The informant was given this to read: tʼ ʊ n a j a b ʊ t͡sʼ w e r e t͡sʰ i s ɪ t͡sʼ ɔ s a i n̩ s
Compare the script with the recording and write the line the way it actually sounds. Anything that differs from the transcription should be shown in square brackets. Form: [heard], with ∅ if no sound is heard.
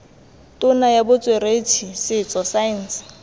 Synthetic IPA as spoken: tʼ ʊ n a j a b ʊ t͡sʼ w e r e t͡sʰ i s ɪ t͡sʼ ɔ s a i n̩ s